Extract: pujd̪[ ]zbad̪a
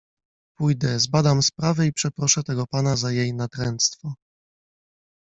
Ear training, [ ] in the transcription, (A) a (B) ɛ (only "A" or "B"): B